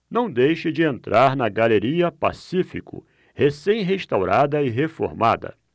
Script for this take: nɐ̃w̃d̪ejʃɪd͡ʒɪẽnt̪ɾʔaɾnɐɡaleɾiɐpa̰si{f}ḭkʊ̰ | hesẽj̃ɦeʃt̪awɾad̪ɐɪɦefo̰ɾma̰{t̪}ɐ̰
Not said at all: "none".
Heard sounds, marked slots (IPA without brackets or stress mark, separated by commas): f, d̪